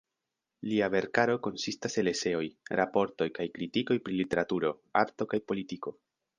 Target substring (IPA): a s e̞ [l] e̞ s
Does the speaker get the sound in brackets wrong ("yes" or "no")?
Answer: no